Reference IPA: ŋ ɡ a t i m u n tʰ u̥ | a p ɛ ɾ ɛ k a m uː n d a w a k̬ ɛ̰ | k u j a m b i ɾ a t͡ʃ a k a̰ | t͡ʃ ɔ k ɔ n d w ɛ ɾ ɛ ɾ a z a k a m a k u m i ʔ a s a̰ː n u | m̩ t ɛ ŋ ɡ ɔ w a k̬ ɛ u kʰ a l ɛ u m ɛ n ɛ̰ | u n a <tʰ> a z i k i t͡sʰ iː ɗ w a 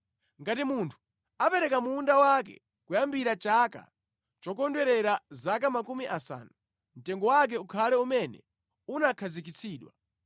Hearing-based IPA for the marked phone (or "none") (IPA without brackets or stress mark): kʰ